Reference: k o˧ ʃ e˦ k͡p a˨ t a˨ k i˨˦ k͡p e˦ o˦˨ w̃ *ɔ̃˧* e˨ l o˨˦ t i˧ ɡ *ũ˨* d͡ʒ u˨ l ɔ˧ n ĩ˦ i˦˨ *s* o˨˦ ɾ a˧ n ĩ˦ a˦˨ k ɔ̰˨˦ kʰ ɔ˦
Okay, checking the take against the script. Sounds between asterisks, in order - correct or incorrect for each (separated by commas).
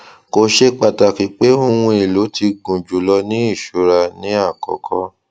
incorrect, correct, incorrect